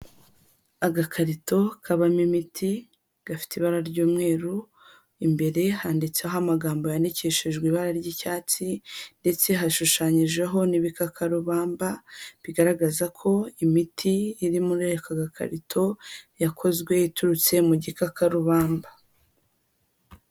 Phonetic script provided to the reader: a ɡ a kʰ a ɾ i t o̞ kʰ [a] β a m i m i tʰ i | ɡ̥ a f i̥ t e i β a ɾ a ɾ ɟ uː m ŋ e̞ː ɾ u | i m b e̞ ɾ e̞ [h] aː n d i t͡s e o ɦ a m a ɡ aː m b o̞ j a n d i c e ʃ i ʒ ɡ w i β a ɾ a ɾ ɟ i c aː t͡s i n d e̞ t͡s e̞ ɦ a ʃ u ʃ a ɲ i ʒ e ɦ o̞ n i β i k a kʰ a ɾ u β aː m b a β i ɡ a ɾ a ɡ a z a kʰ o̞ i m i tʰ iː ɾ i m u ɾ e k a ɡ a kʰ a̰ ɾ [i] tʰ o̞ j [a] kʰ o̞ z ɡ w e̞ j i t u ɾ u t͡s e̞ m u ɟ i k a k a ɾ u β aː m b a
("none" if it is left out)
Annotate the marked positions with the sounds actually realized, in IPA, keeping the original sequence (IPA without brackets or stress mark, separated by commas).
a, h, i, a